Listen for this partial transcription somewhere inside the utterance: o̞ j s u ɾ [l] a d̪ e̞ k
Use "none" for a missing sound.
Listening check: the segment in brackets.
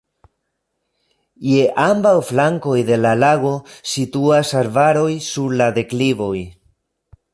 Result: l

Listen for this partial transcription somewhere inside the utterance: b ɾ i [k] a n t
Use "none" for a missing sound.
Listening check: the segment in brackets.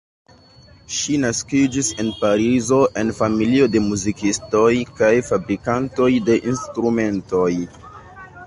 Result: k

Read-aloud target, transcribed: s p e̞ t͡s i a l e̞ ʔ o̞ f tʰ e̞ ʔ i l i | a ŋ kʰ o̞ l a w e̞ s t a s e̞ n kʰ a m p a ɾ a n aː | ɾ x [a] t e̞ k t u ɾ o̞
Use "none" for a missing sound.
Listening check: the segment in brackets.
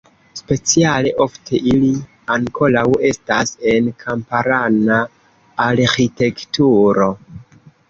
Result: i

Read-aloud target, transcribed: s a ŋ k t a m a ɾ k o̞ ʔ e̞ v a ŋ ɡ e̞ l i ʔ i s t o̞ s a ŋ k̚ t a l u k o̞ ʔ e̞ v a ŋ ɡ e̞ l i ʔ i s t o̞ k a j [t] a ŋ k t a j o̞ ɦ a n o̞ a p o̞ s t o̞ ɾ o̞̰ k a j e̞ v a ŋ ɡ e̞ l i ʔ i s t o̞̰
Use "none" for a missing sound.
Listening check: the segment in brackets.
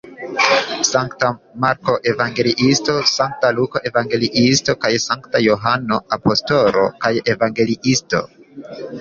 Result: s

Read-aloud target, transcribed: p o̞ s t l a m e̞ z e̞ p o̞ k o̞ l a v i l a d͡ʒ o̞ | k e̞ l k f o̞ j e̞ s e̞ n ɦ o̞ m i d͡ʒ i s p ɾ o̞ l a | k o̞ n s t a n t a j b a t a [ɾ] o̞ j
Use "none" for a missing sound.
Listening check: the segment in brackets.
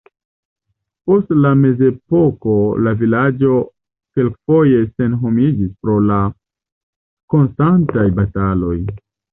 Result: l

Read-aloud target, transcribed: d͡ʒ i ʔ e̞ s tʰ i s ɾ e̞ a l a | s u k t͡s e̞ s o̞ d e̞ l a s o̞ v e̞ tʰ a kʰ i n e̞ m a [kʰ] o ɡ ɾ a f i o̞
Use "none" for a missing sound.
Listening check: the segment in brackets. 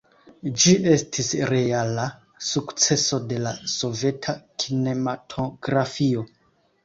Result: tʰ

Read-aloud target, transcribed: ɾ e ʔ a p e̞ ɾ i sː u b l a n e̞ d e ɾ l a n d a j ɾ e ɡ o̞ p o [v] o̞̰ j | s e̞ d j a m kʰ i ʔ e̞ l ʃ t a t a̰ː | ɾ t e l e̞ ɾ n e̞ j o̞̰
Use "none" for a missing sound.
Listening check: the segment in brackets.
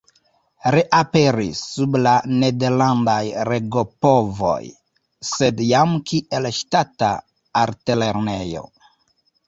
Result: v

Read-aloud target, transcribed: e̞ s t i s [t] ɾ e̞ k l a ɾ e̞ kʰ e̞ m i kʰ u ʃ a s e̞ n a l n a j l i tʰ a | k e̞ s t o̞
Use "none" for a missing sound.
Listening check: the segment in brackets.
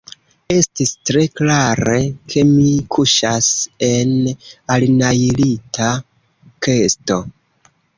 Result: t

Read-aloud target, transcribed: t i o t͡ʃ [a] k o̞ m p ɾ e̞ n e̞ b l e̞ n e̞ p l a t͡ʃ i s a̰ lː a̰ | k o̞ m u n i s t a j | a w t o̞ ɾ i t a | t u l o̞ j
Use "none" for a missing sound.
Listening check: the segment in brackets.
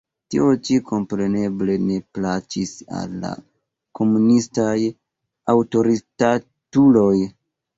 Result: i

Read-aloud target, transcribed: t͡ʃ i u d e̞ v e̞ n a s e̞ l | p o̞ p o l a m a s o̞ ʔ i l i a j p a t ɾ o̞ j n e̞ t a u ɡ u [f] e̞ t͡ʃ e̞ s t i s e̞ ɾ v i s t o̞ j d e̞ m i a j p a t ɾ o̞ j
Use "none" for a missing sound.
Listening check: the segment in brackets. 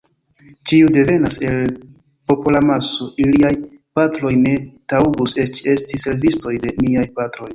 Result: s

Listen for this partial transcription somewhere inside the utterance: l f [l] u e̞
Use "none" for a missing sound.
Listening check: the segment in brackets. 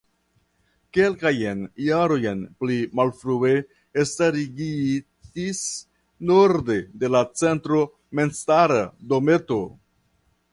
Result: ɾ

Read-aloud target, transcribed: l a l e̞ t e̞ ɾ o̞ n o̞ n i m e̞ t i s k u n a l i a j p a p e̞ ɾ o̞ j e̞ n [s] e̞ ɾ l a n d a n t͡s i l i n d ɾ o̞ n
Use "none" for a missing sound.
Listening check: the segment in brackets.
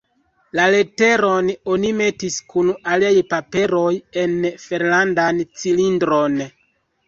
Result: f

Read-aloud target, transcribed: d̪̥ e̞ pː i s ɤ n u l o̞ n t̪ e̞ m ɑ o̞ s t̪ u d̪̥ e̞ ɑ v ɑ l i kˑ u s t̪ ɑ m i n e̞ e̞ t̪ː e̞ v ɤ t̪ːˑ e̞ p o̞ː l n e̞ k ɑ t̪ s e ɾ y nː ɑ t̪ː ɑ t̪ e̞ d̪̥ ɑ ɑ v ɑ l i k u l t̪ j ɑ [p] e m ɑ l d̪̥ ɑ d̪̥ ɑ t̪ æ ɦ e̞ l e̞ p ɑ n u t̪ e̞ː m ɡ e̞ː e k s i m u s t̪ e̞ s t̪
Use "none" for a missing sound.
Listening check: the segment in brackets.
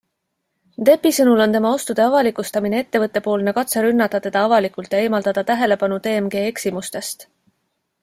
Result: none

